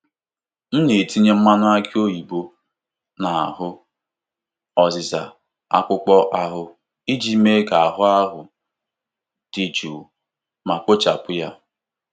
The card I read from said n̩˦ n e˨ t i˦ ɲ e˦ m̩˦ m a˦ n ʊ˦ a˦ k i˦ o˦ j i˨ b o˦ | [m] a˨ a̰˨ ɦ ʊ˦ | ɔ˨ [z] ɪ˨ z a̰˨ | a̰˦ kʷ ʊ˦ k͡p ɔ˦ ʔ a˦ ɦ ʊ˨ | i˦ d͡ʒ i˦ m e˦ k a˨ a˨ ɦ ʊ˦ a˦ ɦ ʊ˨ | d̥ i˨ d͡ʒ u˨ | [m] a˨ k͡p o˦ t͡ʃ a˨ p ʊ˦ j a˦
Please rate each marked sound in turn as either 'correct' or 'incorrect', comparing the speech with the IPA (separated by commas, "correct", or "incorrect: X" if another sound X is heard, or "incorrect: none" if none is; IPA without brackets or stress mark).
incorrect: n, correct, correct